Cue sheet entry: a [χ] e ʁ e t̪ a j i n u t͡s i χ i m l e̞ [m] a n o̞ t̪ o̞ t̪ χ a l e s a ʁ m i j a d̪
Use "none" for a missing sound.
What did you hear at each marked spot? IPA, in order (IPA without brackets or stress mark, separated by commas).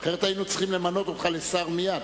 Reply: χ, m